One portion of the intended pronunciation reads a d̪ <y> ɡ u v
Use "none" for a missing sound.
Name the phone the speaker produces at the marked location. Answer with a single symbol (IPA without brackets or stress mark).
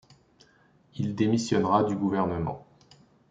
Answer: y